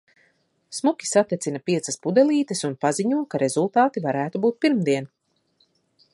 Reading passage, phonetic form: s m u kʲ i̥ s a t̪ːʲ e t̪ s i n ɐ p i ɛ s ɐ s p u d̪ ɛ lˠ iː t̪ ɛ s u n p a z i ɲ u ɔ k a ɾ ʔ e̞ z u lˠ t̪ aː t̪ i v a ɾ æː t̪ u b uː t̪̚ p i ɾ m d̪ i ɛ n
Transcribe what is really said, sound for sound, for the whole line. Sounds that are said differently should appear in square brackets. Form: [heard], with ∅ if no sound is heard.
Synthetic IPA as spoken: s m u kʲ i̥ s a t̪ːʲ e t̪ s i n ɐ p i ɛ s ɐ s p u d̪ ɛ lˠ iː t̪ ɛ s u n p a z i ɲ u ɔ k a ɾ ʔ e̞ z u lˠ t̪ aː t̪ i v a ɾ æː t̪ u b uː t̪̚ p i ɾ m d̪ i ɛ n